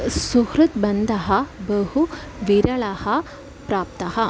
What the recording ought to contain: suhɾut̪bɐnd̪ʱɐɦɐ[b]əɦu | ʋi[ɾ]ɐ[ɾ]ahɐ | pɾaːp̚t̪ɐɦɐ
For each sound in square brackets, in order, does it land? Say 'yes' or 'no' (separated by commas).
yes, yes, no